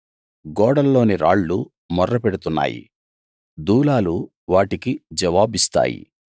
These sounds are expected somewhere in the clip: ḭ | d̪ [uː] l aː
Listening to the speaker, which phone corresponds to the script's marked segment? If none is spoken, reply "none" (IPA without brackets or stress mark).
uː